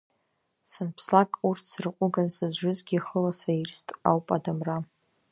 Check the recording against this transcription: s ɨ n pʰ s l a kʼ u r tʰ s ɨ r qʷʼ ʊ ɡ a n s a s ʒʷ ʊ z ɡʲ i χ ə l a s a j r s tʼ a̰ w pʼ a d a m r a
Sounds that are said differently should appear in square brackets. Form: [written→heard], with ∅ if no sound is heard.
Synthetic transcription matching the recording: s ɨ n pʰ s l a kʼ u r tʰ s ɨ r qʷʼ ʊ ɡ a n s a [s→z] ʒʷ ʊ z ɡʲ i χ ə l a s a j r s tʼ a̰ w pʼ a d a m r a

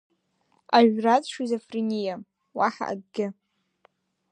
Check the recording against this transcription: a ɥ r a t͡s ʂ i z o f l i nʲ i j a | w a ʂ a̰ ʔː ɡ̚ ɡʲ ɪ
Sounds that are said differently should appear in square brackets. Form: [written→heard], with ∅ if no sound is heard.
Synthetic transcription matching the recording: a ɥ r a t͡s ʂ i z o f [l→r] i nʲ i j a | w a [ʂ→ħ] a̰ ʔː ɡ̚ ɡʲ ɪ

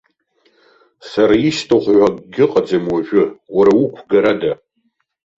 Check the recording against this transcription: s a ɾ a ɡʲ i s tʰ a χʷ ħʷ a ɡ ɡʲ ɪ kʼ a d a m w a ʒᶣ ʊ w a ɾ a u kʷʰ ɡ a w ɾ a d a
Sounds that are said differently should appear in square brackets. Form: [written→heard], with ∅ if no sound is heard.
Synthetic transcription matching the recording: s a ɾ a [ɡʲ→∅] i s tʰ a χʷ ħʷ a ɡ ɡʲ ɪ [kʼ→qʼ] a [d→d͡z] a m w a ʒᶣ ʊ w a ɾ a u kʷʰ ɡ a [w→∅] ɾ a d a

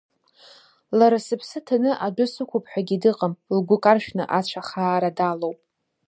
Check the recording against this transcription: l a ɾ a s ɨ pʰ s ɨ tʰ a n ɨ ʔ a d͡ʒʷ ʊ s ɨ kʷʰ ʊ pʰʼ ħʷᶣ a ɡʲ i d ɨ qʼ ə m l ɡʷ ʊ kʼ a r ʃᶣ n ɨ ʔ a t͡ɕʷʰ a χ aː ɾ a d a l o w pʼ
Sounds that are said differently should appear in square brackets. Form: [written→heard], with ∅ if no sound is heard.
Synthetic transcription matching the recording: l a ɾ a s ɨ pʰ s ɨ tʰ a n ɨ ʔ a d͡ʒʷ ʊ s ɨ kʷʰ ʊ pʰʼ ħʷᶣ a ɡʲ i d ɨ qʼ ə m l ɡʷ ʊ kʼ a r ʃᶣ n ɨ ʔ a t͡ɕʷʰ a χ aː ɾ a d a l o w pʼ

